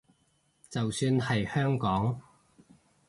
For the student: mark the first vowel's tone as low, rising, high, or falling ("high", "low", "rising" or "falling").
low